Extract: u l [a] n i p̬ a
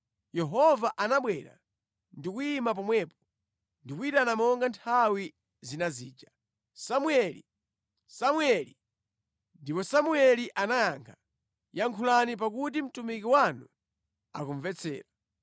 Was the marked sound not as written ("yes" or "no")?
no